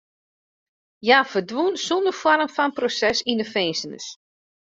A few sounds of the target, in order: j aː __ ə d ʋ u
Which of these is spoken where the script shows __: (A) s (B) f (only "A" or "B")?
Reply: B